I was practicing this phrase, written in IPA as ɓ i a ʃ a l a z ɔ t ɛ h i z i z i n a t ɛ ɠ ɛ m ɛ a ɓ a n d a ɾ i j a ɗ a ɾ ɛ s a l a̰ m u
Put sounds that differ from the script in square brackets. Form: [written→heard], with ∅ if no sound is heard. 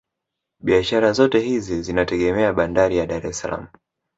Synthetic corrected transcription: ɓ i a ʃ a [l→ɾ] a z ɔ t ɛ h i z i z i n a t ɛ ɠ ɛ m ɛ a ɓ a n d a ɾ i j a ɗ a ɾ ɛ s a l a̰ m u